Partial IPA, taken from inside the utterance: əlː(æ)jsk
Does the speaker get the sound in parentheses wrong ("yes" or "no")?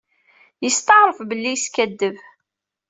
yes